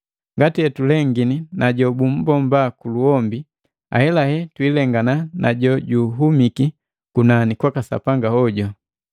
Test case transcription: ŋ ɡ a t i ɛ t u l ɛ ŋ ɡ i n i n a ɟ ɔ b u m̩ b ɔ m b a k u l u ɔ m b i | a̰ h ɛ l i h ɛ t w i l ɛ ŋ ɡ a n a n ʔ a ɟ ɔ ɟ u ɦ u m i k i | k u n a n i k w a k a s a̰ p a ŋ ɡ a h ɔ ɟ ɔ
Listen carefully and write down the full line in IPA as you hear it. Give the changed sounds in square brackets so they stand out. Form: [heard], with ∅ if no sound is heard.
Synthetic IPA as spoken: ŋ ɡ a t i ɛ t u l ɛ ŋ ɡ i n i n a ɟ ɔ b u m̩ b ɔ m b a k u l u ɔ m b i | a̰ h ɛ l [a] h ɛ t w i l ɛ ŋ ɡ a n a n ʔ a ɟ ɔ ɟ u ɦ u m i k i | k u n a n i k w a k a s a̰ p a ŋ ɡ a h ɔ ɟ ɔ